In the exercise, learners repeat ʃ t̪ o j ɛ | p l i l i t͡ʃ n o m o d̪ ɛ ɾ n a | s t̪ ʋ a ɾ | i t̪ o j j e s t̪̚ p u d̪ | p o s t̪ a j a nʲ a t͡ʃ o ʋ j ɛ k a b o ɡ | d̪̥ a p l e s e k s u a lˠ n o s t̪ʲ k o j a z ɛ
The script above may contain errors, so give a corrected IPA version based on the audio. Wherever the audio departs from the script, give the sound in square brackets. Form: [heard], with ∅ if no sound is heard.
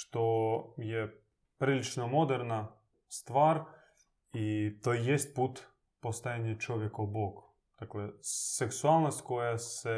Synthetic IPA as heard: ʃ t̪ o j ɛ | p [ɾ] i l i t͡ʃ n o m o d̪ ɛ ɾ n a | s t̪ ʋ a ɾ | i t̪ o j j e s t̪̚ p u [t̪] | p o s t̪ a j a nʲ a t͡ʃ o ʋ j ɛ k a b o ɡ | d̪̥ a [k] l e s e k s u a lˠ n o s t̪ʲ k o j a [s] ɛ